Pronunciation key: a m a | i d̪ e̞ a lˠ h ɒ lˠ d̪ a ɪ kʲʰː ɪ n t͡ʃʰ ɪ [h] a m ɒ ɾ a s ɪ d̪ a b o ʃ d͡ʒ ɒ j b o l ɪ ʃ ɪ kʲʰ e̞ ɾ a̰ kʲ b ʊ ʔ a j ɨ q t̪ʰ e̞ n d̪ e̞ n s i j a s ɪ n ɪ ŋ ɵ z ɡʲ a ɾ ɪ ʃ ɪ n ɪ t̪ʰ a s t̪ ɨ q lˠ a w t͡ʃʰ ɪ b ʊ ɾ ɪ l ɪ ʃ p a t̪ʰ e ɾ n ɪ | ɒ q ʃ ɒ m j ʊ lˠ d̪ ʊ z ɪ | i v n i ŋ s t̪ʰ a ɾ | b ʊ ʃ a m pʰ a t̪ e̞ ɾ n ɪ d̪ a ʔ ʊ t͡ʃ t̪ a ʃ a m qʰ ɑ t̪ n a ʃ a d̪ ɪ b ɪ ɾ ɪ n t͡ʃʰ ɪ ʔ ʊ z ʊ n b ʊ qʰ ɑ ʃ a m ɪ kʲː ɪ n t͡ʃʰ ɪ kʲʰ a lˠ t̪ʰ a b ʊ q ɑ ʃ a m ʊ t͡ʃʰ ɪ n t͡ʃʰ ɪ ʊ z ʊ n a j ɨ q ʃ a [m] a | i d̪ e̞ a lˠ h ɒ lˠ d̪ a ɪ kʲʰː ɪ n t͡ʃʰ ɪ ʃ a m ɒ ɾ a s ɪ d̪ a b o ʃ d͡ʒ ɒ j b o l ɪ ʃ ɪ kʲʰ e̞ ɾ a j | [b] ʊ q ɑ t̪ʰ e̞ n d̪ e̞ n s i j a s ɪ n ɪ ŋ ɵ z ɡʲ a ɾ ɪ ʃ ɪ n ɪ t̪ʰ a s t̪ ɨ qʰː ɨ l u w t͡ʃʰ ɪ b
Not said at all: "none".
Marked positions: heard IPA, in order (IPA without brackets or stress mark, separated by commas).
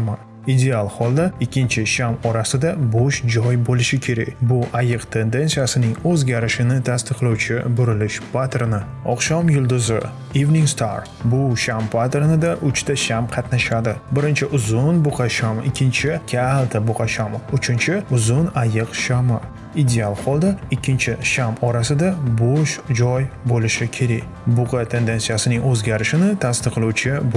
ʃ, m, b